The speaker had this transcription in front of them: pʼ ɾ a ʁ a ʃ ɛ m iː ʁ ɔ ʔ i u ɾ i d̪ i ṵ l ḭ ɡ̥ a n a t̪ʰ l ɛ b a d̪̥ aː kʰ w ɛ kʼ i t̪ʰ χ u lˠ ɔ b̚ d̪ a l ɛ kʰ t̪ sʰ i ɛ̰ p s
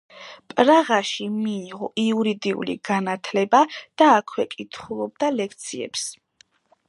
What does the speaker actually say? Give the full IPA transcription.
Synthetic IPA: pʼ ɾ a ʁ a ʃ i m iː ʁ ɔ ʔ i u ɾ i d̪ i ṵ l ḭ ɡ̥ a n a t̪ʰ l ɛ b a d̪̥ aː kʰ w ɛ kʼ i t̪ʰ χ u lˠ ɔ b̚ d̪ a l ɛ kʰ t̪ sʰ i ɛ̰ p s